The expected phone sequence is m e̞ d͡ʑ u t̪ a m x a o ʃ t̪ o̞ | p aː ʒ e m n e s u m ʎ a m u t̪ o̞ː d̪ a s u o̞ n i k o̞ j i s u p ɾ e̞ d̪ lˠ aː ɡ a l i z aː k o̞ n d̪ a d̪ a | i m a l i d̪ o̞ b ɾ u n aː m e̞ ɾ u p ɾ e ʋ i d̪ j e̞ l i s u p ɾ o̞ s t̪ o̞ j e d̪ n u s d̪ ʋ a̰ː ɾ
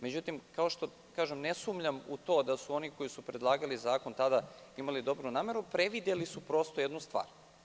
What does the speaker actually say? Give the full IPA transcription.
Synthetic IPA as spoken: m e̞ d͡ʑ u t̪ i m k a o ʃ t̪ o̞ | k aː ʒ e m n e s u m ʎ a m u t̪ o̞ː d̪ a s u o̞ n i k o̞ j i s u p ɾ e̞ d̪ lˠ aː ɡ a l i z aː k o̞ n t̪ a d̪ a | i m a l i d̪ o̞ b ɾ u n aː m e̞ ɾ u p ɾ e ʋ i d̪ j e̞ l i s u p ɾ o̞ s t̪ o̞ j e d̪ n u s t̪ ʋ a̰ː ɾ